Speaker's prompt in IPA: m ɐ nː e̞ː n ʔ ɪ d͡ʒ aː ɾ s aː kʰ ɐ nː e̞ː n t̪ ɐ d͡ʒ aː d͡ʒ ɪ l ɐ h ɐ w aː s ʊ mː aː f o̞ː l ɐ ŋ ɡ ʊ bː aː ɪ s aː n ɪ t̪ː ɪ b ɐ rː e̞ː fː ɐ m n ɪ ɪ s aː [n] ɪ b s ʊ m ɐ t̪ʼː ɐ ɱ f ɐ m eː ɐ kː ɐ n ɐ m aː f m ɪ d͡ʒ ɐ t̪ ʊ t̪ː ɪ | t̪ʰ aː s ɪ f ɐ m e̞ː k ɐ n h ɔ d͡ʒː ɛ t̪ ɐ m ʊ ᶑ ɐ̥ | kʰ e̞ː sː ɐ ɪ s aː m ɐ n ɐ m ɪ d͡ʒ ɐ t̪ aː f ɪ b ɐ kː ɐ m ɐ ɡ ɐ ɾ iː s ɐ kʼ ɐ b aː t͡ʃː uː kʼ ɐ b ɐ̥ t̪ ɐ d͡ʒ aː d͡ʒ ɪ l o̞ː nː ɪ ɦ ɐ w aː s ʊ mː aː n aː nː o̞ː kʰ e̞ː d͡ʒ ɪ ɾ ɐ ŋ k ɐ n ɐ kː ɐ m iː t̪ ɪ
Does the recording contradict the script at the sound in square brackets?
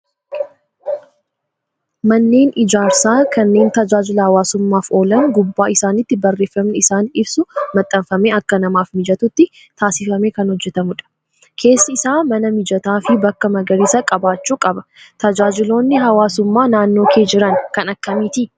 no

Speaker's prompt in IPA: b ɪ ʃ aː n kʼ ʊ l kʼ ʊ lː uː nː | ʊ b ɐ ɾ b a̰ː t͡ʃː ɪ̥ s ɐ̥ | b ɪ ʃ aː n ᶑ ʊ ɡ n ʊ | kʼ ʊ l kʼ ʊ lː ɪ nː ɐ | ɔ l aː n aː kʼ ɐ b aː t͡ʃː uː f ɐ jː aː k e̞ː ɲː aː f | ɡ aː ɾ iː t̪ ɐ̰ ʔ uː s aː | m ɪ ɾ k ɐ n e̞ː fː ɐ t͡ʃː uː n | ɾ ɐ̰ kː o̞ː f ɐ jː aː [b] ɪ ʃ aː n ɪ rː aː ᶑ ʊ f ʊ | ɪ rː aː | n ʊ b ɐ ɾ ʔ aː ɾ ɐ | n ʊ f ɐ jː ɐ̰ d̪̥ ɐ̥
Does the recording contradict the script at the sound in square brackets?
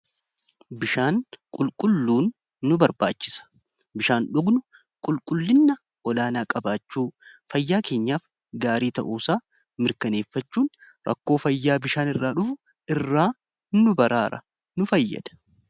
no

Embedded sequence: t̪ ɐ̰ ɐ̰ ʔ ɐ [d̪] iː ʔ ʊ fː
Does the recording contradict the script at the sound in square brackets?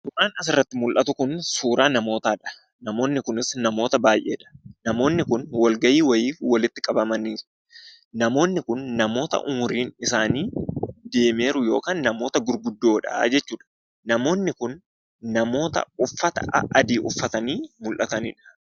no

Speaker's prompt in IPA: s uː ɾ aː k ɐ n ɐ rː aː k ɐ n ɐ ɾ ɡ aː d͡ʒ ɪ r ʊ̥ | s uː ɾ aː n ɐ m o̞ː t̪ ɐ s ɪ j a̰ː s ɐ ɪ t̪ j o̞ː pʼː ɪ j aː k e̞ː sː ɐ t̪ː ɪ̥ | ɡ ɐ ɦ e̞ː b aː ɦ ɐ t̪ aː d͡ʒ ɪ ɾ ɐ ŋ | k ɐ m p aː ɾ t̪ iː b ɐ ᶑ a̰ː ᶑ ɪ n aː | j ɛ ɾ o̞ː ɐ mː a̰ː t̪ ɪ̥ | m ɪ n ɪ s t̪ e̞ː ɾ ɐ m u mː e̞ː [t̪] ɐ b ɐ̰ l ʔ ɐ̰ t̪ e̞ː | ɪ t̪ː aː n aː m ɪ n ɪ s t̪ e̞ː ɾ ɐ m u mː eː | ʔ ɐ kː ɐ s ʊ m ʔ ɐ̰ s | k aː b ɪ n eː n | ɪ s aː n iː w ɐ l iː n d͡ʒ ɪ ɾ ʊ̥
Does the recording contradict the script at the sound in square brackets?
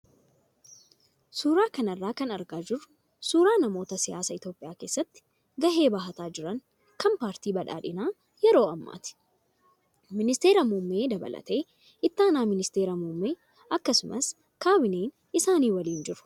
yes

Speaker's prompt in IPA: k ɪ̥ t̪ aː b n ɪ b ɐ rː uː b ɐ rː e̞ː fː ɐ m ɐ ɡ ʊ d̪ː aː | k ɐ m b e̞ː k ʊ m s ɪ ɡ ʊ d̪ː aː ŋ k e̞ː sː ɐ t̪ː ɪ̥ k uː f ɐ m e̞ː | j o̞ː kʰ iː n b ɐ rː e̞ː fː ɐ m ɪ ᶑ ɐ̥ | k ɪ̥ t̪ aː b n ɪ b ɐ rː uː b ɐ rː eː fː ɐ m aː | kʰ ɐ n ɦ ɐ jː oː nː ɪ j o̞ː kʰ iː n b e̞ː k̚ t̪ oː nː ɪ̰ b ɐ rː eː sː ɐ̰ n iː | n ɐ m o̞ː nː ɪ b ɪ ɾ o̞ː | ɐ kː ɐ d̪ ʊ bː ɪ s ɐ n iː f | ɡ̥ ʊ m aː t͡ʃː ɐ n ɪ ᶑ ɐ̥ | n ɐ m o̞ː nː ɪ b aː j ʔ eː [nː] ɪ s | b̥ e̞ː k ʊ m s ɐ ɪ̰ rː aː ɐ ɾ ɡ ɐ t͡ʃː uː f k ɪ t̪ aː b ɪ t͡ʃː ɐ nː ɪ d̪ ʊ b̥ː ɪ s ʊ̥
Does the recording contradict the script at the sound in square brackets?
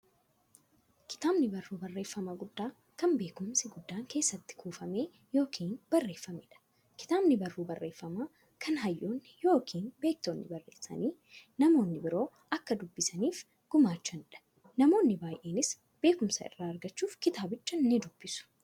yes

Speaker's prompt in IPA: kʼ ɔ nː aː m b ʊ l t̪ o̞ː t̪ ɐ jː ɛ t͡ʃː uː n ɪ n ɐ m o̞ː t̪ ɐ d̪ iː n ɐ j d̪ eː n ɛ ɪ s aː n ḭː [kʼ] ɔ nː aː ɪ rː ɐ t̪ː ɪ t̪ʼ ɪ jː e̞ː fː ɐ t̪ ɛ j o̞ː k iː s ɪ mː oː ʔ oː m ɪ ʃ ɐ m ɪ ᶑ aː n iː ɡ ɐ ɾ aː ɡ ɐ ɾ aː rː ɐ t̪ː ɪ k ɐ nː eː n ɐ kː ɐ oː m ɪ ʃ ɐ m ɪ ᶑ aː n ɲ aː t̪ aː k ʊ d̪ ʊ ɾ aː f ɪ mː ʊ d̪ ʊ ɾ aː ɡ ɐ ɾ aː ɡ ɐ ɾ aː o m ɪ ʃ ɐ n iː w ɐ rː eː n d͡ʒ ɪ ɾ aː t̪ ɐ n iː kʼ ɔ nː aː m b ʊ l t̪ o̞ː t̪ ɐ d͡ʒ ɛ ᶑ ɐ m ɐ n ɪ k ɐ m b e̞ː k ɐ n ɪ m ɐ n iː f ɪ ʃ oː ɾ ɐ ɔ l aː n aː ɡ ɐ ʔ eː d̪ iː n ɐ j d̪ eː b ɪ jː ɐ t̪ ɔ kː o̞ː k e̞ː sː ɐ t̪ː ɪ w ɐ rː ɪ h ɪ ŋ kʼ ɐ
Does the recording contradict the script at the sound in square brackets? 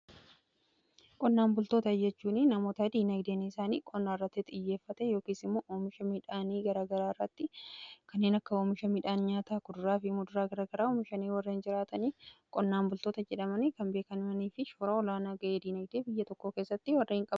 no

